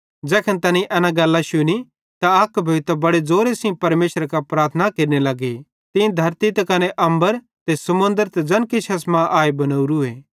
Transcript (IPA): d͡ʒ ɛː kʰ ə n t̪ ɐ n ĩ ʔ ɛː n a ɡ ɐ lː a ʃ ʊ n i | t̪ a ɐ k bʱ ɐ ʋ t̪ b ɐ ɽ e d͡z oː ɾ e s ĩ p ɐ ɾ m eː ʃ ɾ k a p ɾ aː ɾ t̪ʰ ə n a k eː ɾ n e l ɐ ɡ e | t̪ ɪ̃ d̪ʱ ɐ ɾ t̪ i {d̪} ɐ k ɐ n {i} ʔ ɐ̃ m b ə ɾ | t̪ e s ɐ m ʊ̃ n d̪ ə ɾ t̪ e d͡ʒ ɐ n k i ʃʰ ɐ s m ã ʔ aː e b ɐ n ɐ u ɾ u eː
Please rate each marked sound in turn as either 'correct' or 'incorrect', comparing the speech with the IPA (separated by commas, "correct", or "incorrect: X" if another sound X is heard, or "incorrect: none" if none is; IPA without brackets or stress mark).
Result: incorrect: t̪, incorrect: e